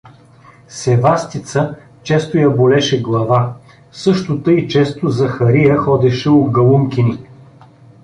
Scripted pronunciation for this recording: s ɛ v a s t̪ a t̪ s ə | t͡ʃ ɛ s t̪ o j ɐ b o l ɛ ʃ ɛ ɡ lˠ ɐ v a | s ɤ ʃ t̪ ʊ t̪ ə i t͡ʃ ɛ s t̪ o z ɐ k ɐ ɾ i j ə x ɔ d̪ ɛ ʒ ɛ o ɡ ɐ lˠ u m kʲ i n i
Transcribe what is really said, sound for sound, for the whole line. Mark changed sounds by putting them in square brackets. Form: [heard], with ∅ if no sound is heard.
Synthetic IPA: s ɛ v a s t̪ [i] t̪ s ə | t͡ʃ ɛ s t̪ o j ɐ b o l ɛ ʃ ɛ ɡ lˠ ɐ v a | s ɤ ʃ t̪ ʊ t̪ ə i t͡ʃ ɛ s t̪ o z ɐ [x] ɐ ɾ i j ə x ɔ d̪ ɛ [ʃ] ɛ o ɡ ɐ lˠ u m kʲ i n i

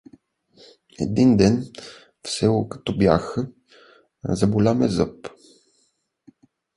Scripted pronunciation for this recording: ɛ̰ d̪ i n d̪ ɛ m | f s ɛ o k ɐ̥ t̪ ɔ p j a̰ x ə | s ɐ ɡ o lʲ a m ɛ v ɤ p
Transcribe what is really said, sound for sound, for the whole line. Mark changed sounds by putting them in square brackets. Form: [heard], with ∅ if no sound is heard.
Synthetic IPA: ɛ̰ d̪ i n d̪ ɛ [n] | f s ɛ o k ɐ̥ t̪ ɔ [b] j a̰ x ə | [z] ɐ [b] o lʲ a m ɛ [z] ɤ p

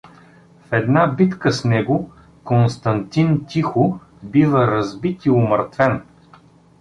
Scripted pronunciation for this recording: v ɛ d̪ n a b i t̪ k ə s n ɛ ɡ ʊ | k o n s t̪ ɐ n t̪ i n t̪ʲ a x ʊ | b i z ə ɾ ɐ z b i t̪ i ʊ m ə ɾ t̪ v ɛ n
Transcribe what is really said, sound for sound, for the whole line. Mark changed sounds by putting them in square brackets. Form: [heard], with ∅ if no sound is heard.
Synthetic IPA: [f] ɛ d̪ n a b i t̪ k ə s n ɛ ɡ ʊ | k o n s t̪ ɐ n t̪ i n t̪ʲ [i] x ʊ | b i [v] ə ɾ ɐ z b i t̪ i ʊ m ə ɾ t̪ v ɛ n

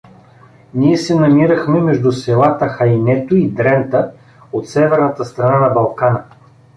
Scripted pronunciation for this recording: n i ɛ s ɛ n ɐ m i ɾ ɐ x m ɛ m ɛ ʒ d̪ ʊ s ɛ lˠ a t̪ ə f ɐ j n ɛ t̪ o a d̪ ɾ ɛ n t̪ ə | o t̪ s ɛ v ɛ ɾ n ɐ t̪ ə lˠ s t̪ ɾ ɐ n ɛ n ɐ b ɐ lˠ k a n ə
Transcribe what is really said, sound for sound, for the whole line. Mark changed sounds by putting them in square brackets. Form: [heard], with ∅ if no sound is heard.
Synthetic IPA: n i ɛ s ɛ n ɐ m i ɾ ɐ x m ɛ m ɛ ʒ d̪ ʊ s ɛ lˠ a t̪ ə [x] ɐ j n ɛ t̪ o [i] d̪ ɾ ɛ n t̪ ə | o t̪ s ɛ v ɛ ɾ n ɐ t̪ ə [∅] s t̪ ɾ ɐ n [a] n ɐ b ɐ lˠ k a n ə

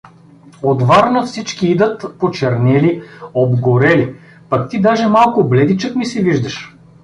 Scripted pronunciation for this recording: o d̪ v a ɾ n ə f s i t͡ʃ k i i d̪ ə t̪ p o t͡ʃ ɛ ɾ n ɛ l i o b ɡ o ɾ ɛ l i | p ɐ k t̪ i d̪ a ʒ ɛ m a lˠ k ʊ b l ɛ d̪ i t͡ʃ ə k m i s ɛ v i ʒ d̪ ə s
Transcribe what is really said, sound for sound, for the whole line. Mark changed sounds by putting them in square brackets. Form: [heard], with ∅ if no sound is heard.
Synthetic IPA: o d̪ v a ɾ n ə f s i t͡ʃ k i i d̪ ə t̪ p o t͡ʃ ɛ ɾ n ɛ l i o b ɡ o ɾ ɛ l i | p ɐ k t̪ i d̪ a ʒ ɛ m a lˠ k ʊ b l ɛ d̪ i t͡ʃ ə k m i s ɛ v i ʒ d̪ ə [ʃ]

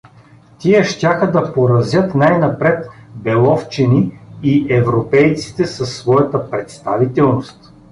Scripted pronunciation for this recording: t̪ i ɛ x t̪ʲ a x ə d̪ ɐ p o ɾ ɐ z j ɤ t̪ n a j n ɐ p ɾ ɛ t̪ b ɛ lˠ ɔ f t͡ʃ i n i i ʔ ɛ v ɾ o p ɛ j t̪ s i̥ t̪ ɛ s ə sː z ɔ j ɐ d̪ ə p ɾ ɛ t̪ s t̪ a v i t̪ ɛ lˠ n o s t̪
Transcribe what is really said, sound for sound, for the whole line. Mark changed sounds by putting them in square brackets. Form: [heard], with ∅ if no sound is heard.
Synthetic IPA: t̪ i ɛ [ʃ] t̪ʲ a x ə d̪ ɐ p o ɾ ɐ z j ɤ t̪ n a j n ɐ p ɾ ɛ t̪ b ɛ lˠ ɔ f t͡ʃ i n i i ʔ ɛ v ɾ o p ɛ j t̪ s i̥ t̪ ɛ s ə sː [v] ɔ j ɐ [t̪] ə p ɾ ɛ t̪ s t̪ a v i t̪ ɛ lˠ n o s t̪

